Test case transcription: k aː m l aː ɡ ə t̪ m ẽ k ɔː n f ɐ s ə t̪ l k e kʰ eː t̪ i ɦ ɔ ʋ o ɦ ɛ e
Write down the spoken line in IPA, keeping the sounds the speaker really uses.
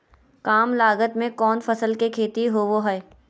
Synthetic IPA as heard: k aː m l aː ɡ ə t̪ m ẽ k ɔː n f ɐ s ə l k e kʰ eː t̪ i ɦ o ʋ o ɦ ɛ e